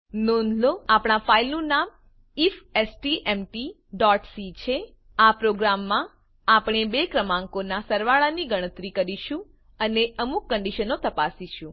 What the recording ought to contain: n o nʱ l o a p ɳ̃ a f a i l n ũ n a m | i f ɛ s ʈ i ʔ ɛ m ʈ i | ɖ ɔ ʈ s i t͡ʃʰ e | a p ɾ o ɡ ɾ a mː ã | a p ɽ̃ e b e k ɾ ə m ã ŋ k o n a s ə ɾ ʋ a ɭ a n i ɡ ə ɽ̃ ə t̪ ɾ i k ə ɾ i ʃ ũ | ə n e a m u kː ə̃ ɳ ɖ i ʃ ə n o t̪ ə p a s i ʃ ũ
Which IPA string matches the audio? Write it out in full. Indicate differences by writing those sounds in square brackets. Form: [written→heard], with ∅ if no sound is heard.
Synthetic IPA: n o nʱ l o a p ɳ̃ a f a i l n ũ n a m | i f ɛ s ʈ i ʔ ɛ m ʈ i | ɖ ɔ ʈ s i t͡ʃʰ e | a p ɾ o ɡ ɾ a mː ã | a p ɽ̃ e b e k ɾ ə m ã ŋ k o n a s ə ɾ ʋ a ɭ a n i ɡ ə ɽ̃ ə t̪ ɾ i k ə ɾ i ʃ ũ | ə n e [a→ə] m u kː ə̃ ɳ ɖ i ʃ ə n o t̪ ə p a s i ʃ ũ